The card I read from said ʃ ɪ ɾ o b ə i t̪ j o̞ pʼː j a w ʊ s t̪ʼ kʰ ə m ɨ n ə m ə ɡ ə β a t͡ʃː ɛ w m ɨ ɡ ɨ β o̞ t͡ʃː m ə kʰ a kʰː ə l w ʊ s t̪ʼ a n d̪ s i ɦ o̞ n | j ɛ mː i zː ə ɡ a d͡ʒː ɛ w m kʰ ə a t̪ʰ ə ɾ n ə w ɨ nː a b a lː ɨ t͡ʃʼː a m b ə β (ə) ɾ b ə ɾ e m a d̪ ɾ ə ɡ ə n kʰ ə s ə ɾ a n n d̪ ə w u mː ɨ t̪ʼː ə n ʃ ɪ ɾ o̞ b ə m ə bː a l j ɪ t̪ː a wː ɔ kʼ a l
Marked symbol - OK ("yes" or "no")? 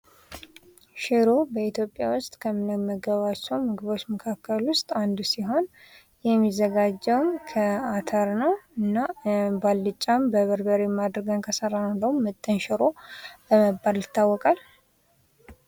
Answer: yes